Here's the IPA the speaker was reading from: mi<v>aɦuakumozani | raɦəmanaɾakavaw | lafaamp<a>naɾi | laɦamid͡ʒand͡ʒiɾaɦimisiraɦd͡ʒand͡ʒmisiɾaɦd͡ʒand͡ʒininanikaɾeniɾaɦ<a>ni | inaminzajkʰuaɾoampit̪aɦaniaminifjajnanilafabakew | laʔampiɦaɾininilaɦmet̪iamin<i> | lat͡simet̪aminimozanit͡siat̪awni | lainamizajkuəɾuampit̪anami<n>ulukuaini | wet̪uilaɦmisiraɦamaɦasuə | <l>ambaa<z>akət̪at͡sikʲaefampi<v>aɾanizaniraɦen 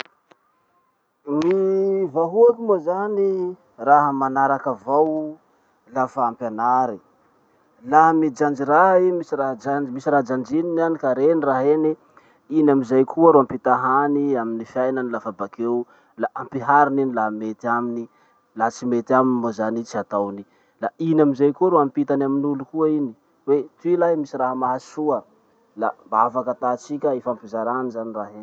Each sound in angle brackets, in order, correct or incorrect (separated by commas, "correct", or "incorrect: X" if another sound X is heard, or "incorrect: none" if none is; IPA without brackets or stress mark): correct, correct, incorrect: e, correct, correct, correct, incorrect: v, incorrect: z